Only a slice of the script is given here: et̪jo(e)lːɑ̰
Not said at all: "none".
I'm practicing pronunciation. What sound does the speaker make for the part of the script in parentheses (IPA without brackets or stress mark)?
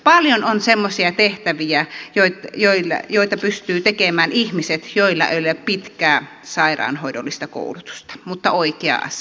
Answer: i